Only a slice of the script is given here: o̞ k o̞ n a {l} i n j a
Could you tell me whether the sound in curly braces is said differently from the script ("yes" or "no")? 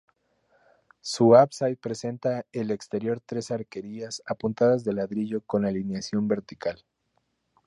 no